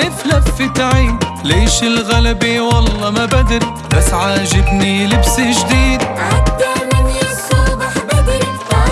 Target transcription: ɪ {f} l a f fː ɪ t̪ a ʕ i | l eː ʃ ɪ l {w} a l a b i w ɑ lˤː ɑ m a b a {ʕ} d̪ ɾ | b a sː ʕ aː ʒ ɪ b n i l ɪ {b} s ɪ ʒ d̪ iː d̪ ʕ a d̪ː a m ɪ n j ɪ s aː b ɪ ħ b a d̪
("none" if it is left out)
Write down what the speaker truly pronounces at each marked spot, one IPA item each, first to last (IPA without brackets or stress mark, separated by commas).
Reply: f, ɣ, none, b